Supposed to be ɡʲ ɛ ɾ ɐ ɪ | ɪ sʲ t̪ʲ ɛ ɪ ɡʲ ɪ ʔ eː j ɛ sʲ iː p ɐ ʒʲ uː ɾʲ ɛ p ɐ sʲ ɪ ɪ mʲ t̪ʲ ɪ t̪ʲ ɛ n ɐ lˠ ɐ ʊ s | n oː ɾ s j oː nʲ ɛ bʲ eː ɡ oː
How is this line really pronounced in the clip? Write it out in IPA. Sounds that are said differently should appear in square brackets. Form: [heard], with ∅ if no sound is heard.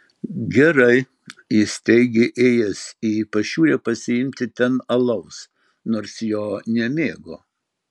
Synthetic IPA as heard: ɡʲ ɛ ɾ ɐ ɪ | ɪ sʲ t̪ʲ ɛ ɪ ɡʲ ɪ ʔ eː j ɛ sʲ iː p ɐ [ʃʲ] uː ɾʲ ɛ p ɐ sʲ ɪ ɪ mʲ t̪ʲ ɪ t̪ʲ ɛ n ɐ lˠ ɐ ʊ s | n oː ɾ s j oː nʲ ɛ [mʲ] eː ɡ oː